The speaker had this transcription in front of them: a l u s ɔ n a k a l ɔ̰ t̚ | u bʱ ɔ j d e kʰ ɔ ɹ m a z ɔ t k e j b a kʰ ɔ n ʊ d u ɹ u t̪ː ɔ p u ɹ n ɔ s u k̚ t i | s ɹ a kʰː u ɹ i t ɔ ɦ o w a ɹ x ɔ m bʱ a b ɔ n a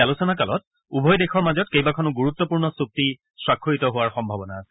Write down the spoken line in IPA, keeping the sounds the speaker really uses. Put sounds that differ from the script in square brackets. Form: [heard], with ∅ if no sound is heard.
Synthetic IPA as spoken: a l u s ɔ n a k a l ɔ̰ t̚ | u bʱ ɔ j d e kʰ ɔ ɹ m a z ɔ t k e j b a kʰ ɔ n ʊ [ɡ] u ɹ u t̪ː ɔ p u ɹ n ɔ s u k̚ t i | s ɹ a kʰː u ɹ i t ɔ ɦ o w a ɹ x ɔ m bʱ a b ɔ n a